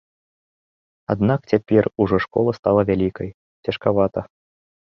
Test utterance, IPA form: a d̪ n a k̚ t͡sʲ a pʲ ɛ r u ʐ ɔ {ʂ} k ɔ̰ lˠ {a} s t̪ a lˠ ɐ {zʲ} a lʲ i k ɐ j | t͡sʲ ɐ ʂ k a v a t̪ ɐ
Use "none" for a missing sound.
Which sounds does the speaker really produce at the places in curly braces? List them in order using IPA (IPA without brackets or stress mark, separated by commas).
ʂ, ɐ, vʲ